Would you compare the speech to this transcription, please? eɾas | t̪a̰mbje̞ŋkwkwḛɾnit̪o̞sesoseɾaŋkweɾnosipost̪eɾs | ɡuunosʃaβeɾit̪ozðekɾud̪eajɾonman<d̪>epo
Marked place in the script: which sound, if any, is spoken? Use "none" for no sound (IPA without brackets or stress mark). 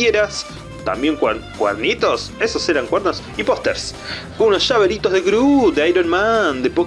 d̪